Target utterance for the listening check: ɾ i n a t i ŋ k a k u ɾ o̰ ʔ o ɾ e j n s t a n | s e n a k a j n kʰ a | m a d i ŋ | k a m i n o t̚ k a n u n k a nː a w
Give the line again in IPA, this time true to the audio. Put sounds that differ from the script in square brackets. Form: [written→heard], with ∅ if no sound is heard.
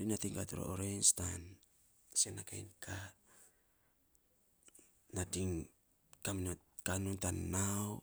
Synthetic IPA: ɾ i n a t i ŋ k a [k→t] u ɾ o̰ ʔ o ɾ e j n s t a n | s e n a k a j n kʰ a | [m→n] a d i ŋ | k a m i n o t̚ k a n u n [k→t] a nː a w

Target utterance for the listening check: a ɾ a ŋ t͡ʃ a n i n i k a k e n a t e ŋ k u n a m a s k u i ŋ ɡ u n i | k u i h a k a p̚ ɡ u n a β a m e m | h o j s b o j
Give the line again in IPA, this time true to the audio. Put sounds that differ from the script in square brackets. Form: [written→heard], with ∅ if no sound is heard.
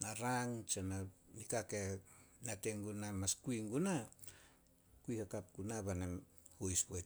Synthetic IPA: a ɾ a ŋ t͡ʃ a n [i→a] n i k a k e n a t e ŋ [k→ɡ] u n a m a s k u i ŋ ɡ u n [i→a] | k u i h a k a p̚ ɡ u n a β a [m→n] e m | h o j s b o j

